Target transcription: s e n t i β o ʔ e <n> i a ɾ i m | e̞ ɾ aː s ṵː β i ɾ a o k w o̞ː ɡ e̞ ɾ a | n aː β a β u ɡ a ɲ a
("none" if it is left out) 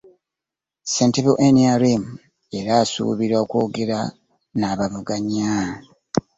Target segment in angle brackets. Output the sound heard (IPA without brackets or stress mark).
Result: n